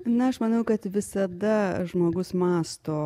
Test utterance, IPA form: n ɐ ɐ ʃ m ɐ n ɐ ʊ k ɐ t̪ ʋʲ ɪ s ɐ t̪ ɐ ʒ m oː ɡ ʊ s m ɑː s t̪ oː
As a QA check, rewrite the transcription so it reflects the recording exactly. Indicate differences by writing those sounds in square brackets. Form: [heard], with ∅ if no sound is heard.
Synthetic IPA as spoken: n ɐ ɐ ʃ m ɐ n ɐ ʊ k ɐ t̪ ʋʲ ɪ s ɐ [d̪] ɐ ʒ m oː ɡ ʊ s m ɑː s t̪ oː